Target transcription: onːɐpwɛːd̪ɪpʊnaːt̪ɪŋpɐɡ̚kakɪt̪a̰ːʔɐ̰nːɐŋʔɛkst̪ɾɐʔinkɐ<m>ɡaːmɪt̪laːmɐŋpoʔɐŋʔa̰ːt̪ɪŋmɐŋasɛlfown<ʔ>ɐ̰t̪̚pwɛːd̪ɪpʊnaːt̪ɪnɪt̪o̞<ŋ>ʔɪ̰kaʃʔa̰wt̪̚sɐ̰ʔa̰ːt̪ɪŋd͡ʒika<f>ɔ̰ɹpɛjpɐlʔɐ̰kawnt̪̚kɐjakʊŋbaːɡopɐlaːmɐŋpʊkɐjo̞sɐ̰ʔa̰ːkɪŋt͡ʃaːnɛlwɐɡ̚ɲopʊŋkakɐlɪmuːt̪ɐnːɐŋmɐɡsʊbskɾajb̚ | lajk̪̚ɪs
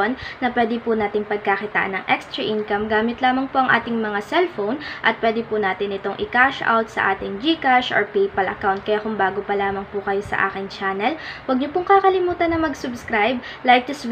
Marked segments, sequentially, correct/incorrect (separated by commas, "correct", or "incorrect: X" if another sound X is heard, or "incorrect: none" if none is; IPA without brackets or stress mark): correct, correct, correct, incorrect: ʃ